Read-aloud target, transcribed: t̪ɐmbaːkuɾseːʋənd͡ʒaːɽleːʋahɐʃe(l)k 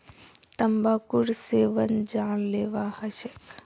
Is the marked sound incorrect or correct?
incorrect